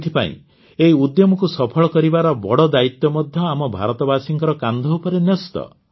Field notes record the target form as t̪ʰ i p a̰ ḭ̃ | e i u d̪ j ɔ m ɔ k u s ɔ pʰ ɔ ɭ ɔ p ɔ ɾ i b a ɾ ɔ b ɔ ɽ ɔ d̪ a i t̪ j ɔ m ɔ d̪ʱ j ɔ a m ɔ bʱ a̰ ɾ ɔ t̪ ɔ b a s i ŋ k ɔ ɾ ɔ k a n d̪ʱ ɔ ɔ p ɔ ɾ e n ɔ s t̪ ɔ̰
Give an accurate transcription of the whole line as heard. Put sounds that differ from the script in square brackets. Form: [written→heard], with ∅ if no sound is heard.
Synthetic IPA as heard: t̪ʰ i p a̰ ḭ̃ | e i u d̪ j ɔ m ɔ k u s ɔ pʰ ɔ ɭ ɔ [p→k] ɔ ɾ i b a ɾ ɔ b ɔ ɽ ɔ d̪ a i t̪ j ɔ m ɔ d̪ʱ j ɔ a m ɔ bʱ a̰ ɾ ɔ t̪ ɔ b a s i ŋ k ɔ ɾ ɔ k a n d̪ʱ ɔ [ɔ→u] p ɔ ɾ e n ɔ s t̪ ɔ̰

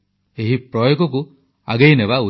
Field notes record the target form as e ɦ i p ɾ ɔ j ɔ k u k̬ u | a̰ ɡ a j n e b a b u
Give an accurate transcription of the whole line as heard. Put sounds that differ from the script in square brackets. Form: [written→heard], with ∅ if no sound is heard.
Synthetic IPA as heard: e ɦ i p ɾ ɔ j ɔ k [u→ɔ] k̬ u | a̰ ɡ [a→e] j n e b a [b→∅] u

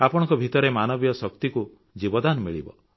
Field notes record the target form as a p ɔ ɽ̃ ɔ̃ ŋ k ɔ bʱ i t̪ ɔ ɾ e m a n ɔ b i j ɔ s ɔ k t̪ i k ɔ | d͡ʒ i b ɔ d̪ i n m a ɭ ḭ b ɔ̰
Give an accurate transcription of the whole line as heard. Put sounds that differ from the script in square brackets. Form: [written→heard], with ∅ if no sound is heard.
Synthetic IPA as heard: a p ɔ ɽ̃ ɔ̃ ŋ k ɔ bʱ i t̪ ɔ ɾ e m a n ɔ b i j ɔ s ɔ k t̪ i k [ɔ→u] | d͡ʒ i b ɔ d̪ [i→a] n m [a→i] ɭ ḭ b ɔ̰

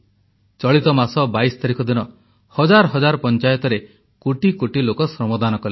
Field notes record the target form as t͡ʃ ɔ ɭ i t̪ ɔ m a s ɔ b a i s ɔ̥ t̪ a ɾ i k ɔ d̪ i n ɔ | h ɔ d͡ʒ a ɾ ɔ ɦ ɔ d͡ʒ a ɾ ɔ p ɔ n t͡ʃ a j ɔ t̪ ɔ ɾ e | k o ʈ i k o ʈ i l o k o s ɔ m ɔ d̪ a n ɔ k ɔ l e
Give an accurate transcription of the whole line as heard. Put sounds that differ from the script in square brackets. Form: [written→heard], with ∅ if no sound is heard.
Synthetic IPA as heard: t͡ʃ ɔ ɭ i t̪ ɔ m a s ɔ b a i s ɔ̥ t̪ a ɾ i k ɔ d̪ i n ɔ | h ɔ d͡ʒ a ɾ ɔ ɦ ɔ d͡ʒ a ɾ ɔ p ɔ n t͡ʃ a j ɔ t̪ ɔ ɾ e | k o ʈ i k o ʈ i l o k [o→ɔ] s ɔ m ɔ d̪ a n ɔ k ɔ l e

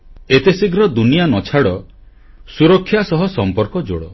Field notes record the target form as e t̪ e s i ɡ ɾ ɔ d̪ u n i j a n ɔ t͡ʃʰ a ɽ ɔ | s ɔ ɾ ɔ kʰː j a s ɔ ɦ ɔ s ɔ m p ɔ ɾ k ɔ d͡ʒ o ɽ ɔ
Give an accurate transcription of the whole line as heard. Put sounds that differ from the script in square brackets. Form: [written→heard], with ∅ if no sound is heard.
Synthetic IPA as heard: e t̪ e s i ɡ ɾ ɔ d̪ u n i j a n ɔ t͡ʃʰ a ɽ ɔ | s [ɔ→u] ɾ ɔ kʰː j a s ɔ ɦ ɔ s ɔ m p ɔ ɾ k ɔ d͡ʒ o ɽ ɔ

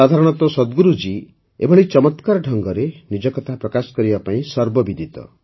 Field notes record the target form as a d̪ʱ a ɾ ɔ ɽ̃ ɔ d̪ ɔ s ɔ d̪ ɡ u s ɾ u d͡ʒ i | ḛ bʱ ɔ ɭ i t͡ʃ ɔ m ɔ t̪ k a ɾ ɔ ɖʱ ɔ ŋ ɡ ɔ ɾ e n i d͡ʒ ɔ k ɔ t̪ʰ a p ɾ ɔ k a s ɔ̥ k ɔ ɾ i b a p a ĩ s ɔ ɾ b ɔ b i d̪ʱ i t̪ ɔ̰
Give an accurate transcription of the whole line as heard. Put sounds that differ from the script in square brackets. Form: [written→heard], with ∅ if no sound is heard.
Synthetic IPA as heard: a d̪ʱ a ɾ ɔ ɽ̃ ɔ [d̪→t̪] ɔ s ɔ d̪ ɡ u [s→∅] ɾ u d͡ʒ i | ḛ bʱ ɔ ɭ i t͡ʃ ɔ m ɔ t̪ k a ɾ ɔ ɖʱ ɔ ŋ ɡ ɔ ɾ e n i d͡ʒ ɔ k ɔ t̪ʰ a p ɾ ɔ k a s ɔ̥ k ɔ ɾ i b a p a ĩ s ɔ ɾ b ɔ b i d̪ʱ i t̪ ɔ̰

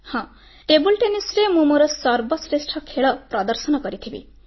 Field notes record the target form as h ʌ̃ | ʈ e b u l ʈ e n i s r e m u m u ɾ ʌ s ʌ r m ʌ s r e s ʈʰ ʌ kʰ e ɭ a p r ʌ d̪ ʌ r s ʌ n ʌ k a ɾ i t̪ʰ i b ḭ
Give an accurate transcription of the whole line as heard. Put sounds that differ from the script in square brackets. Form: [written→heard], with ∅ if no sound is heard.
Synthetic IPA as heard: h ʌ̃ | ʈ e b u l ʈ e n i s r e m u m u ɾ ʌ s ʌ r [m→b] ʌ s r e s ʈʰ ʌ kʰ e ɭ [a→ʌ] p r ʌ d̪ ʌ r s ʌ n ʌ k [a→ʌ] ɾ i t̪ʰ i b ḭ

